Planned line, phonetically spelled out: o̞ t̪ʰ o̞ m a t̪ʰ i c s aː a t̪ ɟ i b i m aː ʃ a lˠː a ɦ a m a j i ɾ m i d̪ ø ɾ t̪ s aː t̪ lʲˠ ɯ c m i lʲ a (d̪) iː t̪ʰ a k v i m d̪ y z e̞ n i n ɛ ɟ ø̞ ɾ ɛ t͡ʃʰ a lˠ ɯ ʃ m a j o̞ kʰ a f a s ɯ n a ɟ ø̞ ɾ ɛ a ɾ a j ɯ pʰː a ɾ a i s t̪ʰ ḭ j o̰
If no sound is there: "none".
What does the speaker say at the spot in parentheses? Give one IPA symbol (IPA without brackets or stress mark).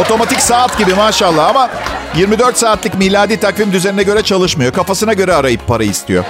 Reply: d̪